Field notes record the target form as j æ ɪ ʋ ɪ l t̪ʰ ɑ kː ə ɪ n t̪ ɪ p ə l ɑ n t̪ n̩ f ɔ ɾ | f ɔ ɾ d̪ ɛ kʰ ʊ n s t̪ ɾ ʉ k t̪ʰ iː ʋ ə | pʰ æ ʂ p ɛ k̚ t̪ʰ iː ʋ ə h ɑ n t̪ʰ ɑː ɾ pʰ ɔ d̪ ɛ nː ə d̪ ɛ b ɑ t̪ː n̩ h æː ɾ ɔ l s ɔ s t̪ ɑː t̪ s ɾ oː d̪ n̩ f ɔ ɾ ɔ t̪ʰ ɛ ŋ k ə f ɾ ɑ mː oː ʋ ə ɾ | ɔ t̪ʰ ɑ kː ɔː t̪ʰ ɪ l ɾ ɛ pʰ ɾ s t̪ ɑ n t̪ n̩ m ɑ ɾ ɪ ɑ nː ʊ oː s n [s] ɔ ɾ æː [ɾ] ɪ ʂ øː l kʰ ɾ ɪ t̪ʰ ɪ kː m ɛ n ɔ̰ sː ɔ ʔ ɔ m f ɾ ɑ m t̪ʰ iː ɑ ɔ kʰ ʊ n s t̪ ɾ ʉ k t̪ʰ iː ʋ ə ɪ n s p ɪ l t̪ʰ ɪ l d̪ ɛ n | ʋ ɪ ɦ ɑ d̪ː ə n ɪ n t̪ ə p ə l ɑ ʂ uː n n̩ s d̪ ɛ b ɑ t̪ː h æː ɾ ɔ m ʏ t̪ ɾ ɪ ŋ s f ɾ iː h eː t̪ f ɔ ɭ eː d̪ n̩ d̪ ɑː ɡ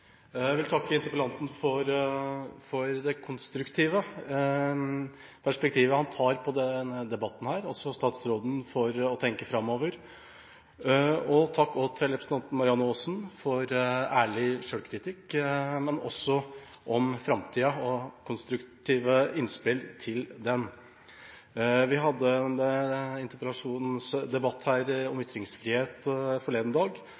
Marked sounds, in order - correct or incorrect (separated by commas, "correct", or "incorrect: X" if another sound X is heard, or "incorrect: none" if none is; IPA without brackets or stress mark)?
incorrect: f, incorrect: ɭ